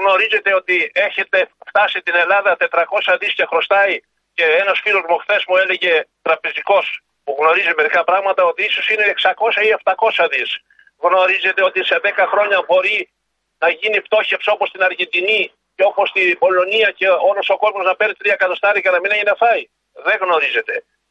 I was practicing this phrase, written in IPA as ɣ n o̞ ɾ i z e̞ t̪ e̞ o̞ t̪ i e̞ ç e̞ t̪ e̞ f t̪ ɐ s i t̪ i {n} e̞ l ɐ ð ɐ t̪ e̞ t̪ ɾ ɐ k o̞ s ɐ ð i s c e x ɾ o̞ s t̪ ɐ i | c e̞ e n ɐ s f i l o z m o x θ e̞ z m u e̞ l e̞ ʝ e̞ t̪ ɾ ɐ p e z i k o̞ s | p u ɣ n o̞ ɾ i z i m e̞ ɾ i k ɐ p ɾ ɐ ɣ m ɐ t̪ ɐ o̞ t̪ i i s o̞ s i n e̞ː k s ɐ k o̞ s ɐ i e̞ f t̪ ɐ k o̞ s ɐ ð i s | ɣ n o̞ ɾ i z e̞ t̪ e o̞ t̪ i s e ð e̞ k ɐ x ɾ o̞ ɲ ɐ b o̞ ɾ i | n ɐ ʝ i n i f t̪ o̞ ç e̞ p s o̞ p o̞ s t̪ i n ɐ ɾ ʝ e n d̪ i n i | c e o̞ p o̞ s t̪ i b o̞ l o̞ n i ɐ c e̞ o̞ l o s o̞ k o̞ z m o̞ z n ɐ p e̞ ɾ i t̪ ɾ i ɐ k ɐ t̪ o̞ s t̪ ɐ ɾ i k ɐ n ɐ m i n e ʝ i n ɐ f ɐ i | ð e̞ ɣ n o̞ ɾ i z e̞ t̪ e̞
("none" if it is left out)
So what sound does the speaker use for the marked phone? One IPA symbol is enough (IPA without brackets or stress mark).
n